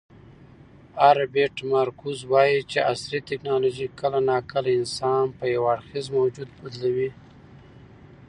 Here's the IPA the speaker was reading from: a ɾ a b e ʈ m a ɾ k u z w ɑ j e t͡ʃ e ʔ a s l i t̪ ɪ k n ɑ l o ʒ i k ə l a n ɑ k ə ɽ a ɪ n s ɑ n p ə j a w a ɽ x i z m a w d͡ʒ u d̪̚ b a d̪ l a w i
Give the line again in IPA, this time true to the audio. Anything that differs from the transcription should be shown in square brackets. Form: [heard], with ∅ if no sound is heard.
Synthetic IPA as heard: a ɾ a b e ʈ m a ɾ k u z w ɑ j [i] t͡ʃ e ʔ a s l i t̪ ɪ k n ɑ l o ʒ i k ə l a n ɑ k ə [l] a ɪ n s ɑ n p ə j a w a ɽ x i z m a w d͡ʒ u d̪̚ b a d̪ l a w i

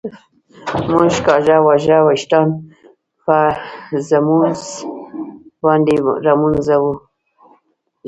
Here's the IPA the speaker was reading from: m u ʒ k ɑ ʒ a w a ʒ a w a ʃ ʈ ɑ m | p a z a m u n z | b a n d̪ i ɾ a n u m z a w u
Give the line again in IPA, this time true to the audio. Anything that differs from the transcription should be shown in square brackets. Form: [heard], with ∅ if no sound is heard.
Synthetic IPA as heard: m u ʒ k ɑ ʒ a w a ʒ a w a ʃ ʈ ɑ [n] | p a z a m u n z | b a n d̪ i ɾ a [m] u [n] z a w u

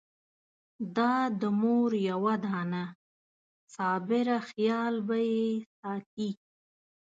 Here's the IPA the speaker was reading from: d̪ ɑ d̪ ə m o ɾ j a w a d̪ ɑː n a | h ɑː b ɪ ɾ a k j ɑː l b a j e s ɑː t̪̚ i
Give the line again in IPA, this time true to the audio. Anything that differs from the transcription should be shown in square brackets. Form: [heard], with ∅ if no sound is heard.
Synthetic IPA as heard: d̪ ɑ d̪ ə m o ɾ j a w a d̪ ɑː n a | [s] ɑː b ɪ ɾ a [x] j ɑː l b a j e s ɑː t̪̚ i

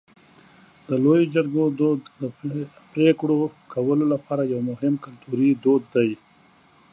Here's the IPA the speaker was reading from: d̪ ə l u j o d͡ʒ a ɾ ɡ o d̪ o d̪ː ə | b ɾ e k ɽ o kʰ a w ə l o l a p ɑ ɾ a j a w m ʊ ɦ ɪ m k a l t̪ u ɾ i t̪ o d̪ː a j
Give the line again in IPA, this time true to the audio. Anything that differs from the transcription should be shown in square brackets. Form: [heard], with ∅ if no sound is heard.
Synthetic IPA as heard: d̪ ə l [o] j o d͡ʒ a ɾ ɡ o d̪ o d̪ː ə | [p] ɾ e k ɽ o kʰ a w ə l o l a p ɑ ɾ a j a w m ʊ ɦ ɪ m k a l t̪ u ɾ i [d̪] o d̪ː a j

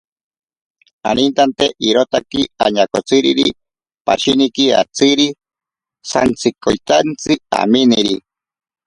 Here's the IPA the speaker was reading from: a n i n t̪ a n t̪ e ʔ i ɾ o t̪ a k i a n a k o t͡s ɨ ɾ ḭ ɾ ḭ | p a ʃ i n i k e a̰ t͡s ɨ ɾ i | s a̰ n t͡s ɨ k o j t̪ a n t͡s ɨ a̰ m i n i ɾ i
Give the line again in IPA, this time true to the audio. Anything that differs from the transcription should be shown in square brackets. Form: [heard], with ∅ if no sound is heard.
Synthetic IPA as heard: a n i n t̪ a n t̪ e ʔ i ɾ o t̪ a k i a [ɲ] a k o t͡s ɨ ɾ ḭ ɾ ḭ | p a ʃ i n i k [i] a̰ t͡s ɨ ɾ i | s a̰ n t͡s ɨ k o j t̪ a n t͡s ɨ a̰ m i n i ɾ i

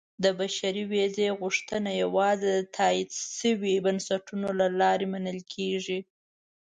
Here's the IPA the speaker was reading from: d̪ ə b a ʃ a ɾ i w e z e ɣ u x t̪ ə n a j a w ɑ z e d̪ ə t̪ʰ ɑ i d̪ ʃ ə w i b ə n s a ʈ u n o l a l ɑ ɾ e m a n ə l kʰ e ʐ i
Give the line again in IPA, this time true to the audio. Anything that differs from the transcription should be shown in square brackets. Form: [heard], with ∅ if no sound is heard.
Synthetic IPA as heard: d̪ ə b a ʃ a ɾ i w e z e ɣ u [ʂ] t̪ ə n a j a w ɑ z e d̪ ə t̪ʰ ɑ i d̪ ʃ ə w i b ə n s a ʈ u n o l a l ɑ ɾ e m a n ə l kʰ e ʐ i

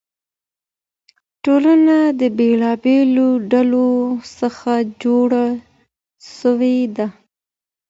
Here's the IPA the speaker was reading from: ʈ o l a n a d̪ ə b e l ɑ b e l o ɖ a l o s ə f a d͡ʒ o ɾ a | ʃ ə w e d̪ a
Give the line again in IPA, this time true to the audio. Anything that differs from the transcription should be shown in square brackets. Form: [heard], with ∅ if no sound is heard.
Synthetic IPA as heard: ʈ o l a n a d̪ ə b e l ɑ b e l o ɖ a l o s ə [x] a d͡ʒ o [ɽ] a | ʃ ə w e d̪ a

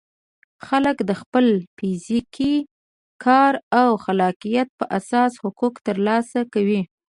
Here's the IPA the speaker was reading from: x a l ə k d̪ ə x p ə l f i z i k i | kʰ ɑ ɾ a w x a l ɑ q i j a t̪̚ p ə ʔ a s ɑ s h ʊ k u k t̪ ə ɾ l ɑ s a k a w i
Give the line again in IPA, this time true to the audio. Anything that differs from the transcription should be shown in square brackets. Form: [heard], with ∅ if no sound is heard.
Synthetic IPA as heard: x a l ə k d̪ ə x p ə l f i z i k i | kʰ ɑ ɾ a w x a l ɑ q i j a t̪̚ p ə ʔ a s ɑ s h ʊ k u k t̪ ə ɾ l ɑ s a k a w i

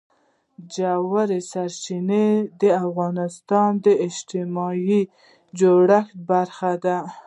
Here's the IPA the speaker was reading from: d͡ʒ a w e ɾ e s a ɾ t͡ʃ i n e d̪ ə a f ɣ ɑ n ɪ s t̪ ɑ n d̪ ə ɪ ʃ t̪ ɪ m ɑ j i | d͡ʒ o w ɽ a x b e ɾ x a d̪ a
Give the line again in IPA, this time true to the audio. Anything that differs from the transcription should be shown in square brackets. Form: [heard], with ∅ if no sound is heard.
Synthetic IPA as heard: d͡ʒ a w [a] ɾ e s a ɾ t͡ʃ i n e d̪ ə a f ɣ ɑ n ɪ s t̪ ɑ n d̪ ə ɪ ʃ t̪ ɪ m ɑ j i | d͡ʒ o [∅] ɽ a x b [a] ɾ x a d̪ a

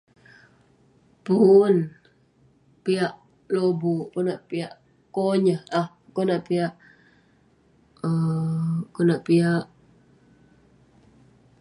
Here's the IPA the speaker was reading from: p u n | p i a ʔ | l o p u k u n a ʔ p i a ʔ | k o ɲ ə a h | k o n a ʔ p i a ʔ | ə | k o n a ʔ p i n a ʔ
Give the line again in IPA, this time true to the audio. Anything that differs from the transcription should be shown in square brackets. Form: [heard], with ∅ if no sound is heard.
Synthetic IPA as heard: p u n | p i a ʔ | l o [b] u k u n a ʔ p i a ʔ | k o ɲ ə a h | k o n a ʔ p i a ʔ | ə | k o n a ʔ p i [∅] a ʔ

